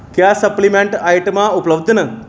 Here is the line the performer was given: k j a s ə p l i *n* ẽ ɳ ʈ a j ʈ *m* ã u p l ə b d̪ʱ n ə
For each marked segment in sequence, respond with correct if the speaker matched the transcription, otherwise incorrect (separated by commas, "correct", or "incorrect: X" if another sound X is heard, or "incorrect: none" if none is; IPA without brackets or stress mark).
incorrect: m, correct